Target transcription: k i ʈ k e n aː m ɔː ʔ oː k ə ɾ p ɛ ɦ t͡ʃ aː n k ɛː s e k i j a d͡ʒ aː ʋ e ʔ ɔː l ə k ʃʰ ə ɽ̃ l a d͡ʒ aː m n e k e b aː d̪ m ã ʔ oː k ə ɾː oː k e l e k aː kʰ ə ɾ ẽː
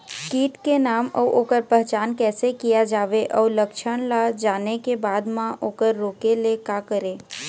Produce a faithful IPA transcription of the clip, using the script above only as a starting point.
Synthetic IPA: k iː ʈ k e n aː m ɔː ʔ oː k ə ɾ p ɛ ɦ t͡ʃ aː n k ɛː s e k i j a d͡ʒ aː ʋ e ʔ ɔː l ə k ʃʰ ə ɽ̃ l a d͡ʒ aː n e k e b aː d̪ m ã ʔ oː k ə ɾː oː k e l e k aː k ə ɾ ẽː